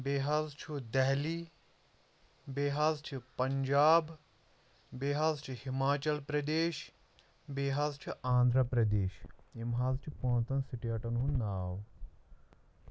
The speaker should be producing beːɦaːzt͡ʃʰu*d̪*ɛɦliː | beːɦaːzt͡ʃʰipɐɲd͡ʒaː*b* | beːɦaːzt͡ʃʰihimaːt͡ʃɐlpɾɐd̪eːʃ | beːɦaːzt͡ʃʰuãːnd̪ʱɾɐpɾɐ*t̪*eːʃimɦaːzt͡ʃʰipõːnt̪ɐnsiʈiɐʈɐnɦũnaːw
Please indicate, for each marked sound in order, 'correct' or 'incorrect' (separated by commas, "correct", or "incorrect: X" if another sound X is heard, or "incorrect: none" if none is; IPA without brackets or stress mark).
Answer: correct, correct, incorrect: d̪